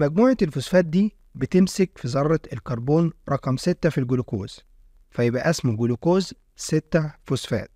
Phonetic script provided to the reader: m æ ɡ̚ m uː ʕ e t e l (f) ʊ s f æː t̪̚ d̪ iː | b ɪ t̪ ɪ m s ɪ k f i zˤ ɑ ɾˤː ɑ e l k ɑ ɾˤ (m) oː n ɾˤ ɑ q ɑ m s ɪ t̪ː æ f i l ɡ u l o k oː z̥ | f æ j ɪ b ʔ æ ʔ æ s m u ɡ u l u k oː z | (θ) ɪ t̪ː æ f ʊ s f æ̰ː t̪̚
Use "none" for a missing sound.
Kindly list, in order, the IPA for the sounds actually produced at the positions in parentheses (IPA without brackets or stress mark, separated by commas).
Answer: f, b, s